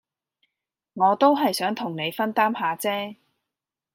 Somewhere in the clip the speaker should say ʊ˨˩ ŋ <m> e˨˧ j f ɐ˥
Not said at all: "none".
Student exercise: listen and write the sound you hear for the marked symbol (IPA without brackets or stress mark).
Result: n